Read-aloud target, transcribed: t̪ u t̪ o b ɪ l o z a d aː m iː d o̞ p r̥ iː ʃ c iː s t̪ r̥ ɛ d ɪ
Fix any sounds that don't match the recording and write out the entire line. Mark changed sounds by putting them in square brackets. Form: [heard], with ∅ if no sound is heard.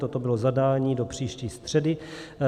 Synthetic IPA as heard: t̪ [o] t̪ o b ɪ l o z a d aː [ɲ] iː d o̞ p r̥ iː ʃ c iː s t̪ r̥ ɛ d ɪ